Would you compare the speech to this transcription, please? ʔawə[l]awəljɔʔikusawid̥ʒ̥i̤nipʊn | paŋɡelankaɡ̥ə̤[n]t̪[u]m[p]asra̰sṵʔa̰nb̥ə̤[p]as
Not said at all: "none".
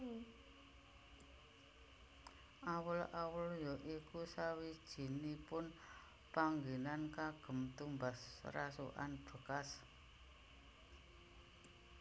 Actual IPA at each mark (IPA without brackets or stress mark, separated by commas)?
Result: l, m, u, b, k